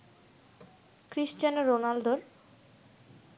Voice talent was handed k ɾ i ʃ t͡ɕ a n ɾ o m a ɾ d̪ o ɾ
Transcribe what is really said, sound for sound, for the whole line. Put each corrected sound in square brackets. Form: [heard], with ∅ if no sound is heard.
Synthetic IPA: k ɾ i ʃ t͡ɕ a n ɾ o [n] a [l] d̪ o ɾ